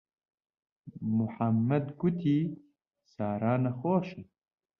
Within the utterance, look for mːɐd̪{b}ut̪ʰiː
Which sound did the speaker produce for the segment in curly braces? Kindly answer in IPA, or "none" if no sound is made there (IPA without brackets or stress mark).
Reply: ɡ